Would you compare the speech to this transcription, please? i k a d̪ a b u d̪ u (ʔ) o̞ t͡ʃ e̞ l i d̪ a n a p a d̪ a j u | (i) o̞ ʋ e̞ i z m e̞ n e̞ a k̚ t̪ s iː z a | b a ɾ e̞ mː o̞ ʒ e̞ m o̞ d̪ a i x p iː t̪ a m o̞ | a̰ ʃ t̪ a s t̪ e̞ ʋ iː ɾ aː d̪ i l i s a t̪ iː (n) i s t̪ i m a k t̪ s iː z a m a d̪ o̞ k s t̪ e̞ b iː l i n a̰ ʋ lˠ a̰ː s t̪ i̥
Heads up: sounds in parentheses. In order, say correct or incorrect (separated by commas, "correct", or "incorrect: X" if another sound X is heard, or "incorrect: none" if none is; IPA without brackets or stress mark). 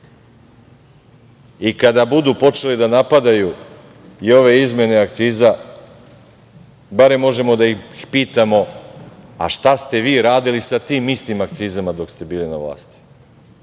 incorrect: p, correct, incorrect: m